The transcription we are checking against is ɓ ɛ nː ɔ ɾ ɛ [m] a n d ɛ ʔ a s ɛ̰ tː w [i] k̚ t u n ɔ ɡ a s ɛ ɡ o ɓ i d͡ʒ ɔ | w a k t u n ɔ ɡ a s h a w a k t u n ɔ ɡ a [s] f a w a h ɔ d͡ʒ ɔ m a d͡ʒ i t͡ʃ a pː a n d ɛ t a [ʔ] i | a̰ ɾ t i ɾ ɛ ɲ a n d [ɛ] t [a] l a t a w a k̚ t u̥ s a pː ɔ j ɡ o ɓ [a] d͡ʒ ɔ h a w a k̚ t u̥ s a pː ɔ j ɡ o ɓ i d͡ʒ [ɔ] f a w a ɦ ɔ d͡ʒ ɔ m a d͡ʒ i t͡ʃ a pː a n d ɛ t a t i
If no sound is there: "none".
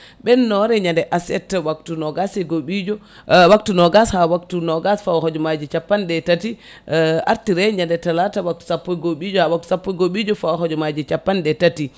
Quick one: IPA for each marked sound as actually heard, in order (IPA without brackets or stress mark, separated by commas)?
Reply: ɲ, a, s, t, ɛ, a, i, ɔ